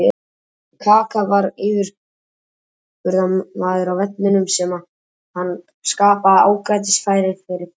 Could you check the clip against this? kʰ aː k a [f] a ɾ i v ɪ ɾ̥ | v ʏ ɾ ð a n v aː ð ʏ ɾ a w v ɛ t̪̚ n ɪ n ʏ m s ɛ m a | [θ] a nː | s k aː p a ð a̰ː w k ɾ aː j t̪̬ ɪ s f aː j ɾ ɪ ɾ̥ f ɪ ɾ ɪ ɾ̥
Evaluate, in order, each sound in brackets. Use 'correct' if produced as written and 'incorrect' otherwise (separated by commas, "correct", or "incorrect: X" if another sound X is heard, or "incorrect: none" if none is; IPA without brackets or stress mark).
incorrect: v, incorrect: h